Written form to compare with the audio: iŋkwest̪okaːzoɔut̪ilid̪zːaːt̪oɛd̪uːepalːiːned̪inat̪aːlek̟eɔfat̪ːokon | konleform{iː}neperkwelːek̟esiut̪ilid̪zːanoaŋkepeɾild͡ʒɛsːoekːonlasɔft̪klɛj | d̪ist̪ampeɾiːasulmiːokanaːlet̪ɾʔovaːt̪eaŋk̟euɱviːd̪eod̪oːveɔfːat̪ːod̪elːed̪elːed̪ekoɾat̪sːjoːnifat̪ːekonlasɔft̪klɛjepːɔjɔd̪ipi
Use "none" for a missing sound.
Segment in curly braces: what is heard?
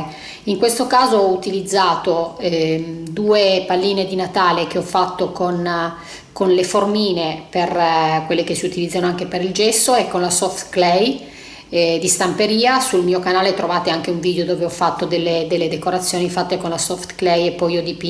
iː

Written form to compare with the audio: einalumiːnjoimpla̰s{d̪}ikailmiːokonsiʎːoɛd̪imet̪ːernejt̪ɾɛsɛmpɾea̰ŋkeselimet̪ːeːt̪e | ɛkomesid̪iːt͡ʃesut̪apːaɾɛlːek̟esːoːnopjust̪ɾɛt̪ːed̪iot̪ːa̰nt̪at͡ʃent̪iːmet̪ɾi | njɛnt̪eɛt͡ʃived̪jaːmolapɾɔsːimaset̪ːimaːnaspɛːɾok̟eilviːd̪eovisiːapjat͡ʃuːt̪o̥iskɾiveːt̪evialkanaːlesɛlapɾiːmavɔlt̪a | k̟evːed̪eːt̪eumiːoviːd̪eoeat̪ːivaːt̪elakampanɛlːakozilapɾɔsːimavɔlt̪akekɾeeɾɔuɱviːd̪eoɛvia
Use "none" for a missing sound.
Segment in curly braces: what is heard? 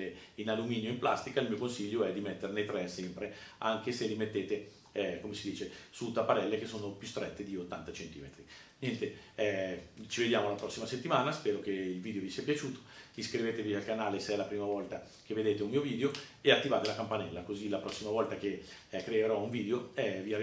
t̪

